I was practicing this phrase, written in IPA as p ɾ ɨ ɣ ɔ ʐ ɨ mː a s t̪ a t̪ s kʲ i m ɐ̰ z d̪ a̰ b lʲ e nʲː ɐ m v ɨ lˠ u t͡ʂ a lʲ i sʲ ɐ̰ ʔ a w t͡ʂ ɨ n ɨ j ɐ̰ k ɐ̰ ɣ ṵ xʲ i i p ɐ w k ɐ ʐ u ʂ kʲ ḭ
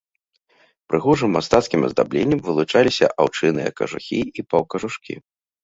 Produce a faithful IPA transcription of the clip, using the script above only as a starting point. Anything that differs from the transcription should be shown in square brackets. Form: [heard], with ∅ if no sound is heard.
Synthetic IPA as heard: p ɾ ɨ ɣ ɔ ʐ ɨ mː a s t̪ a t̪ s kʲ i m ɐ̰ z d̪ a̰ b lʲ e nʲː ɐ m v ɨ lˠ u t͡ʂ a lʲ i sʲ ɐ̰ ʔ a w t͡ʂ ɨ n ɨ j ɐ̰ k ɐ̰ [ʐ] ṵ xʲ i i p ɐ w k ɐ ʐ u ʂ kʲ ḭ